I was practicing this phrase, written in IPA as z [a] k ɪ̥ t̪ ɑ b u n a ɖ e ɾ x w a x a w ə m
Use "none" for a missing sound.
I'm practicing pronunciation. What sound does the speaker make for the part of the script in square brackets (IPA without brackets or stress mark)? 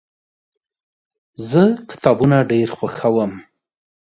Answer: ə